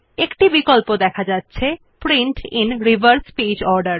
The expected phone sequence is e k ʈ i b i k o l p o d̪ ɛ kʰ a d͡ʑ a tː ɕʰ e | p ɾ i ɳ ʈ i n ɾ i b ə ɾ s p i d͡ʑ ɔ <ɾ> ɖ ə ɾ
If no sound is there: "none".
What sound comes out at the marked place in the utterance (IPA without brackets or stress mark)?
ɾ